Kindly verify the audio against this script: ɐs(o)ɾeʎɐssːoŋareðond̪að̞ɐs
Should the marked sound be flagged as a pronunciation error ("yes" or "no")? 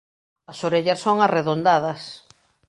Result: no